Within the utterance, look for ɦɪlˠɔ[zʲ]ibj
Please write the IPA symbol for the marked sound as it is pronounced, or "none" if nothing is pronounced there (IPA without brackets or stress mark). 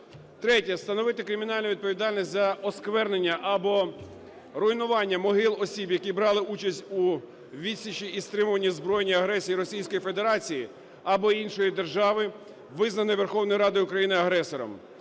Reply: sʲ